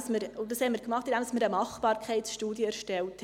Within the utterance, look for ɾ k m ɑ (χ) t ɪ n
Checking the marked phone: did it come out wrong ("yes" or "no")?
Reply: no